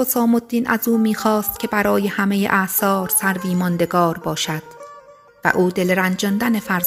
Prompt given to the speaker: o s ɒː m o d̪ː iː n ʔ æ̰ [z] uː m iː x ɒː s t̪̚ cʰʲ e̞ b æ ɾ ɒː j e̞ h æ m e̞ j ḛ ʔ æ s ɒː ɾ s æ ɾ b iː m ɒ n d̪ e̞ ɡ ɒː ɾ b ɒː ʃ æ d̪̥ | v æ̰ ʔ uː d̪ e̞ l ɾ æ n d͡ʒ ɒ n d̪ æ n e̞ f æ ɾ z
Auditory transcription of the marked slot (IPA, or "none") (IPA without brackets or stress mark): z